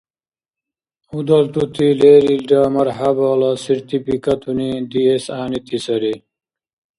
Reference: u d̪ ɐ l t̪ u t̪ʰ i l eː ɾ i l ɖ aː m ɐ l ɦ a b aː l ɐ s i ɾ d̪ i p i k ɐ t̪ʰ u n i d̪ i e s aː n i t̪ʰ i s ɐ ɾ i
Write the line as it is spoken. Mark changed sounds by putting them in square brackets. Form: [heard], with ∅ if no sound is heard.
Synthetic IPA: u d̪ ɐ l t̪ u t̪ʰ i l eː ɾ i l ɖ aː m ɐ [ɾ] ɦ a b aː l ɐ s i ɾ [t̪] i p i k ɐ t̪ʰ u n i d̪ i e s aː n i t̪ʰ i s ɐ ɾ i

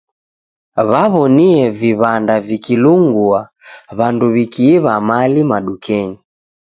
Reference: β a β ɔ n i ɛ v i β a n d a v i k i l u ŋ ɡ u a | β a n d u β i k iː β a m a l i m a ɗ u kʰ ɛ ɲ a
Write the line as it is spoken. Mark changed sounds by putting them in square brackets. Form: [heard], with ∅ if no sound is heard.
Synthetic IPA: β a β ɔ n i ɛ v i β a n d a v i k i l u ŋ ɡ u a | β a n d u β i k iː β a m a l i m a ɗ u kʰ ɛ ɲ [i]

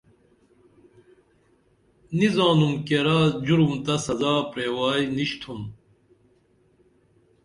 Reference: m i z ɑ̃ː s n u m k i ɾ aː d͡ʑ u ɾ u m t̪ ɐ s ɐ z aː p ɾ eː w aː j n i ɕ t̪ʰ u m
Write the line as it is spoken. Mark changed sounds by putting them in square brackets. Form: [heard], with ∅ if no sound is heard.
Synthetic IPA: [n] i z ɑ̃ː [∅] n u m k [e] ɾ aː d͡ʑ u ɾ u m t̪ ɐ s ɐ z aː p ɾ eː w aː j n i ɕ t̪ʰ u m

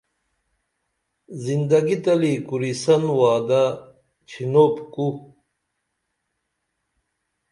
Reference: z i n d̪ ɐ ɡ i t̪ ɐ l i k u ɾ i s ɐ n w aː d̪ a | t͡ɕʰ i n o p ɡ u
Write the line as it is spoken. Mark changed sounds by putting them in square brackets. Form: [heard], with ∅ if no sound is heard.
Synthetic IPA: z i n d̪ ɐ ɡ i t̪ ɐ l i k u ɾ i s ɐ n w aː d̪ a | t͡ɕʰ i n o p [k] u

